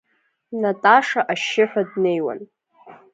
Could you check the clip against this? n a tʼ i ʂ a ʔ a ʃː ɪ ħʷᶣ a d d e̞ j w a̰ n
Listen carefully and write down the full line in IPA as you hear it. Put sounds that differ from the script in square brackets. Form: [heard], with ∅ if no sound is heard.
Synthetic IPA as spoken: n a tʼ [a] ʂ a ʔ a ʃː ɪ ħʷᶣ a d [n] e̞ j w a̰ n